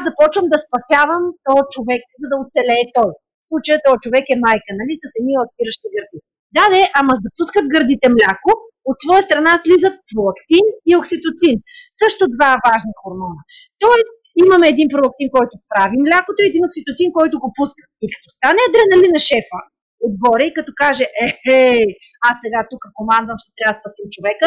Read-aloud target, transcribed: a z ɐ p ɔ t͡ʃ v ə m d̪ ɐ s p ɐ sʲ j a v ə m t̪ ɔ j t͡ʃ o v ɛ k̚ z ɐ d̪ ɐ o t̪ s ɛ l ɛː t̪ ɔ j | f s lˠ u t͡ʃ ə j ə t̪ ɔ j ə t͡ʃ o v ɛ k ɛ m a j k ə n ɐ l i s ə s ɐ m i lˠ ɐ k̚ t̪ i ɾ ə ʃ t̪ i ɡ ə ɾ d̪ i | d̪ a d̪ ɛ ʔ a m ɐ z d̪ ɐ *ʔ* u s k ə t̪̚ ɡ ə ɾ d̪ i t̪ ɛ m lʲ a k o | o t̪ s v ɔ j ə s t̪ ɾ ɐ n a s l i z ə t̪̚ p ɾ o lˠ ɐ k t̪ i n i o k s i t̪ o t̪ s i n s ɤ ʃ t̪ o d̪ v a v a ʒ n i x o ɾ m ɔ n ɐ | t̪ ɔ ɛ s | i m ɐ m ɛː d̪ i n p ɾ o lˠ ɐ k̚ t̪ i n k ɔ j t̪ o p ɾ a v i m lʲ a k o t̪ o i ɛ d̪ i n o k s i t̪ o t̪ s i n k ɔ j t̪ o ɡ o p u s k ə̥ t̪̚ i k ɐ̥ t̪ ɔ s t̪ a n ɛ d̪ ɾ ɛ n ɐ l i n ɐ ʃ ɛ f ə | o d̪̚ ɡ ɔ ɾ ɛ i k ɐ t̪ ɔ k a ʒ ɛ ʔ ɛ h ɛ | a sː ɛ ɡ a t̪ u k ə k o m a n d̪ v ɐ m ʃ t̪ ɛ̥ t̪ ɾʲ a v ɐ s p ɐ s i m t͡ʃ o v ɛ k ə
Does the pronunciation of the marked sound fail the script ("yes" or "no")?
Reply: yes